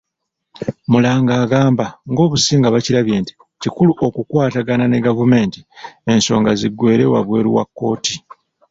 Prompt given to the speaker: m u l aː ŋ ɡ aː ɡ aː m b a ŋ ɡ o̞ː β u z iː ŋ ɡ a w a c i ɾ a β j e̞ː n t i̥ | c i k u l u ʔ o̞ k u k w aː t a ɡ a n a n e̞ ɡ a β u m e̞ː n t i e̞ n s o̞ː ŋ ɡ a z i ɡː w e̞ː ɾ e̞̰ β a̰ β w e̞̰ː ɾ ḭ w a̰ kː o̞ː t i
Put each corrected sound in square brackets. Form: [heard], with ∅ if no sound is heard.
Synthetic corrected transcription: m u l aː ŋ ɡ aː ɡ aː m b a ŋ ɡ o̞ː β u [s] iː ŋ ɡ a [β] a c i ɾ a β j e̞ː n t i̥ | c i k u l u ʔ o̞ k u k w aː t a ɡ a n a n e̞ ɡ a [v] u m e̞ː n t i e̞ n s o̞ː ŋ ɡ a z i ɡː w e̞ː ɾ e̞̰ [w] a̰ β w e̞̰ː ɾ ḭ w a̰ kː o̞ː t i